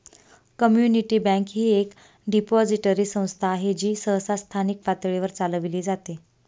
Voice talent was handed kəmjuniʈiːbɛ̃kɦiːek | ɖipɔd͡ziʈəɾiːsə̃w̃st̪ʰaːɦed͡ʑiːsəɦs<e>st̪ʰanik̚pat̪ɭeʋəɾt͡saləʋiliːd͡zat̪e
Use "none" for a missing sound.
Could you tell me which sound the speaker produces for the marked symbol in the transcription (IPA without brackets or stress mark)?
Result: a